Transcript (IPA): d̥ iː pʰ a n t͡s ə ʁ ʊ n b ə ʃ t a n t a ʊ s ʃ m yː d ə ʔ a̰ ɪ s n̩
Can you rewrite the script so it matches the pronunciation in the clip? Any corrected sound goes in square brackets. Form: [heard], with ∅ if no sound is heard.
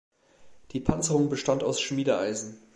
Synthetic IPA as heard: d̥ iː pʰ a n t͡s ə ʁ ʊ [ŋ] b ə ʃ t a n t a ʊ s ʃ m [iː] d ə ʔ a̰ ɪ [z] n̩